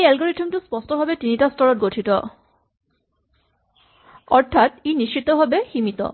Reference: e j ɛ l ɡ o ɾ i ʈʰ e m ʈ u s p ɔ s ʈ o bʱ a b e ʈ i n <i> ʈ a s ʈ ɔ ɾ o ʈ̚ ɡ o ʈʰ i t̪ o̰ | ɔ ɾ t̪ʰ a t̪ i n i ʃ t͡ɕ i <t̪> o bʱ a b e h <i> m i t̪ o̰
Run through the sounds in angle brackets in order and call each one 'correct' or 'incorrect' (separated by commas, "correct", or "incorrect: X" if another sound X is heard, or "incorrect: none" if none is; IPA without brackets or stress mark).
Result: correct, correct, correct